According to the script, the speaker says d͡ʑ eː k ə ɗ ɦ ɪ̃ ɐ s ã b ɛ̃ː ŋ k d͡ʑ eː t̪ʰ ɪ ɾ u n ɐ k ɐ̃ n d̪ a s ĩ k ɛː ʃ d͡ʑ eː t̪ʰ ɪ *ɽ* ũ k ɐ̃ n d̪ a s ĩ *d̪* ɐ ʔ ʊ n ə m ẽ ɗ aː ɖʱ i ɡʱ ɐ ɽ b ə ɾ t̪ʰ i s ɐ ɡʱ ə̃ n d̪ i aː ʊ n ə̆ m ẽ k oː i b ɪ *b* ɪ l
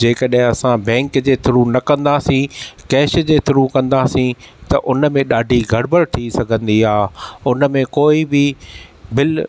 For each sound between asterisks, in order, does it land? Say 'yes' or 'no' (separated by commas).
no, no, yes